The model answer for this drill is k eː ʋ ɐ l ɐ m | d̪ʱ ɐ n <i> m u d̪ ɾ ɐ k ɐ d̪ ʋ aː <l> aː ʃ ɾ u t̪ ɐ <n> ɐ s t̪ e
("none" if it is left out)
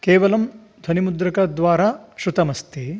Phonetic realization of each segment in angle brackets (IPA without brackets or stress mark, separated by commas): i, ɾ, m